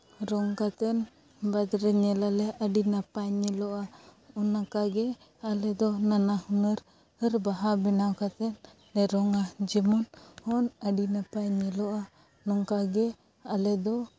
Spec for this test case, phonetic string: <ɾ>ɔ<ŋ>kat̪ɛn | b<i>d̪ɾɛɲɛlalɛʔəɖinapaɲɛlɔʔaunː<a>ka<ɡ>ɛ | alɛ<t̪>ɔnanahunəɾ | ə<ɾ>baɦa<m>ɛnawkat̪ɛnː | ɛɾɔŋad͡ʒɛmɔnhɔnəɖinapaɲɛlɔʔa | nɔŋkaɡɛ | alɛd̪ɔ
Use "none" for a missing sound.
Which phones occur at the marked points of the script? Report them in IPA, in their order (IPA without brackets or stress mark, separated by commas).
ɾ, ŋ, a, a, ɡ, d̪, ɾ, b